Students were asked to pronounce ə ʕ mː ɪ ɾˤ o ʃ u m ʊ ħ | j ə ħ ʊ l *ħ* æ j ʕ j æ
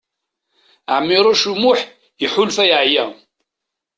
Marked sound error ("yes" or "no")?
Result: yes